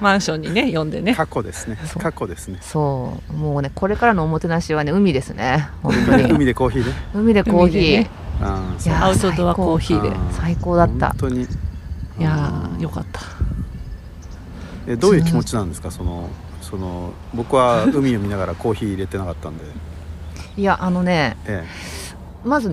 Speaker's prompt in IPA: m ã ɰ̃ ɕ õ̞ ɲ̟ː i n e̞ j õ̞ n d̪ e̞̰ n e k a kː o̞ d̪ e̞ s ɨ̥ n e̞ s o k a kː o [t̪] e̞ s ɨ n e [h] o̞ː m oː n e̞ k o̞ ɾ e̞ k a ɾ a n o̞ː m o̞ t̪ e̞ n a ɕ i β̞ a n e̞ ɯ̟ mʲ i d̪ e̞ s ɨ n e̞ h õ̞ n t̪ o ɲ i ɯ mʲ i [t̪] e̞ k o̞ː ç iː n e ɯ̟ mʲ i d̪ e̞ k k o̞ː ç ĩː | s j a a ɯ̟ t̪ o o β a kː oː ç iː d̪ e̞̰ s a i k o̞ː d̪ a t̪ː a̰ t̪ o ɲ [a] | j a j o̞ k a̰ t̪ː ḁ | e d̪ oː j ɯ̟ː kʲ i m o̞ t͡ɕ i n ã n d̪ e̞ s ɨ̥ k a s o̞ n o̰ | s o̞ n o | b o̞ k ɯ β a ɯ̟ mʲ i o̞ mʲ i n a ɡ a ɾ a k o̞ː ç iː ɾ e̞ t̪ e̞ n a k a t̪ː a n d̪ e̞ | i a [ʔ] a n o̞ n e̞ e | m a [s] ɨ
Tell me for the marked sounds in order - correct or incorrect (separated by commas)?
incorrect, incorrect, incorrect, incorrect, correct, incorrect